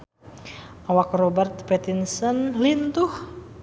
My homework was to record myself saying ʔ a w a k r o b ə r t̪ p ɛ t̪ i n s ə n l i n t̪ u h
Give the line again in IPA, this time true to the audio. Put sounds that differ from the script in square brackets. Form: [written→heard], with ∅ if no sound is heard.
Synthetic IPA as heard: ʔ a w a k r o b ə r t̪ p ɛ t̪ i n s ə n l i n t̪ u h